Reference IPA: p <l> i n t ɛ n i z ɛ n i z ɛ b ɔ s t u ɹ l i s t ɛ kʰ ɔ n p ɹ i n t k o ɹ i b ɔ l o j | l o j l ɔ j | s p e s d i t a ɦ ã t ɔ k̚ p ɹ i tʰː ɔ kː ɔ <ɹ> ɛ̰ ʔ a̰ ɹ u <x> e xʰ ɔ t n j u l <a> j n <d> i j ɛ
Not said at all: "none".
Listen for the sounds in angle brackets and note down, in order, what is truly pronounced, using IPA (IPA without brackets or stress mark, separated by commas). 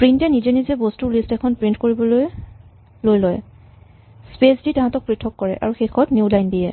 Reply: ɹ, ɹ, x, a, d